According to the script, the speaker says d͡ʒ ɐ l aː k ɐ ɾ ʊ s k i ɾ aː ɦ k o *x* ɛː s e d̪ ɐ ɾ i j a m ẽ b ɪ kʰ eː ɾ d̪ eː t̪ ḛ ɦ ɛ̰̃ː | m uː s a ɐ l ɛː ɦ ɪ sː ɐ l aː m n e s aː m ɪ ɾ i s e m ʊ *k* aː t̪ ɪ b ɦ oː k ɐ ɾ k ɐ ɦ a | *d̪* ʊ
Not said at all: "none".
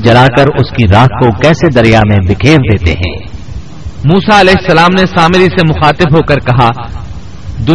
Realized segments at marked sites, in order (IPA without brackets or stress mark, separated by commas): k, x, d̪